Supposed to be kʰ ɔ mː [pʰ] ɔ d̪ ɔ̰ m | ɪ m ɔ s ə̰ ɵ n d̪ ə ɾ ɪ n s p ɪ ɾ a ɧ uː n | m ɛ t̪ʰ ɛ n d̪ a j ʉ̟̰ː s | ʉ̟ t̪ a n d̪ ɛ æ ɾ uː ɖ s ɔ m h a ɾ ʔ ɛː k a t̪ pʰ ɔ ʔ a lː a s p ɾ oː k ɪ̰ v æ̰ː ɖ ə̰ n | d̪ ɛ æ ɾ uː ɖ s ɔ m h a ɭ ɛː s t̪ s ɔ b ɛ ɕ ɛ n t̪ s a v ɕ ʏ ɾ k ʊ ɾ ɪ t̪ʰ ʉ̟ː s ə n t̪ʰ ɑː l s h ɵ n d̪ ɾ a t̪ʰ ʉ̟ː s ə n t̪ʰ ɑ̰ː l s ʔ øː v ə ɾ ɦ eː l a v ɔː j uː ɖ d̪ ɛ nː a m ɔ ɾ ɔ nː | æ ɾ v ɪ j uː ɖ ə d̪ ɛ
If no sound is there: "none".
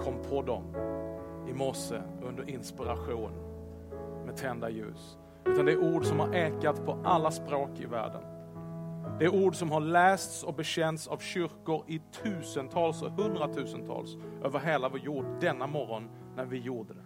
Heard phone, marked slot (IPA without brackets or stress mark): pʰ